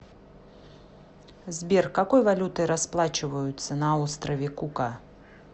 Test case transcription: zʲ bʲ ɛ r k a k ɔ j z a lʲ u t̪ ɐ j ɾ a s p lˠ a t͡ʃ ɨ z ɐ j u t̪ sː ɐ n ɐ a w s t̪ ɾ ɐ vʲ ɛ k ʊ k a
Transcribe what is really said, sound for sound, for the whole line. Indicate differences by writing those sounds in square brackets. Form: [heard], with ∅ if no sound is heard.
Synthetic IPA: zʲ bʲ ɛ r k a k ɔ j [v] a lʲ u t̪ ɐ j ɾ a s p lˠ a t͡ʃ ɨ [v] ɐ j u t̪ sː ɐ n ɐ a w s t̪ ɾ ɐ vʲ ɛ k [u] k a